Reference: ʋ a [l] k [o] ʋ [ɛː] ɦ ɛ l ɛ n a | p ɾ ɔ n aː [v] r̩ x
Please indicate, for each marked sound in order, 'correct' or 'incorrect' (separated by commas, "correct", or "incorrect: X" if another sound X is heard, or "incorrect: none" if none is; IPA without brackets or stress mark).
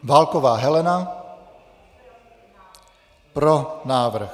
correct, incorrect: ɔ, incorrect: aː, incorrect: ʋ